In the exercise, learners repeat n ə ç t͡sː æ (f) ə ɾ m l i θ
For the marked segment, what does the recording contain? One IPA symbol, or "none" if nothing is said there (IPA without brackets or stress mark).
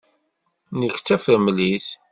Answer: f